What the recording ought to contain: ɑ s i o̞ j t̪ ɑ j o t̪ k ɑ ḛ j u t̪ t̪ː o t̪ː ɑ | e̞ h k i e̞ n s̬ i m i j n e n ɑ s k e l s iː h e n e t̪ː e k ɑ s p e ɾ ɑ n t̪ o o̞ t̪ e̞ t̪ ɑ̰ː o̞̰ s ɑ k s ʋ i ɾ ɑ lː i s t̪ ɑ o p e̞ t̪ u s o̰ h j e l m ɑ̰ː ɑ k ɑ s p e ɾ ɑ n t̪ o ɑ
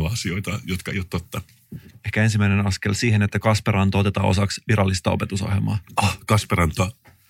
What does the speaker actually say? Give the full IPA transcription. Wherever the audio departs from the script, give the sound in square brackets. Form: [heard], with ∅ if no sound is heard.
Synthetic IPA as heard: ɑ s i o̞ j t̪ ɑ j o t̪ k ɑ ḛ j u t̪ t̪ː o t̪ː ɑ | e̞ h k [æ] e̞ n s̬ i m [æ] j n e n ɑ s k e l s iː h e n e t̪ː [æ] k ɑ s p e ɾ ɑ n t̪ o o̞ t̪ e̞ t̪ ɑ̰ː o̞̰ s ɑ k s ʋ i ɾ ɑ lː i s t̪ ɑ o p e̞ t̪ u s o̰ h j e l m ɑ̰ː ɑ k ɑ s p e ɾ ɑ n t̪ o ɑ